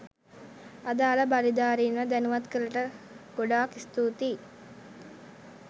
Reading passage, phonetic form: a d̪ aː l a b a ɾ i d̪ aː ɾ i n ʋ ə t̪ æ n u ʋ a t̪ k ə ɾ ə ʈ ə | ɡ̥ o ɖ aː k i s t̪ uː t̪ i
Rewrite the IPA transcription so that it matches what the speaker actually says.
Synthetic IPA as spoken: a d̪ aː l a b a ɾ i d̪ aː ɾ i n ʋ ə d̪ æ n u ʋ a t̪ k ə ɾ ə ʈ ə | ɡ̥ o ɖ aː k i s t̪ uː t̪ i

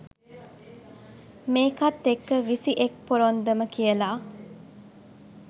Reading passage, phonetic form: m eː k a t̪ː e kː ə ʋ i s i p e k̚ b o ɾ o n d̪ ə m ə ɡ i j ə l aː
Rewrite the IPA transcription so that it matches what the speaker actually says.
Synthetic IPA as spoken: m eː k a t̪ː e kː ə ʋ i s i ʔ e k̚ p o ɾ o n d̪ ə m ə k i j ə l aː

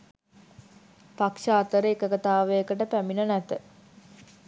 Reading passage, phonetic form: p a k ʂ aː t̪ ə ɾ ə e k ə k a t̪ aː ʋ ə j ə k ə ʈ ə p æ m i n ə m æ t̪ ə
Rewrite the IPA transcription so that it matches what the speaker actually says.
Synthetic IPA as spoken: p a k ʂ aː t̪ ə ɾ ə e k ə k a t̪ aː ʋ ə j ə k ə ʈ ə p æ m i n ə n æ t̪ ə

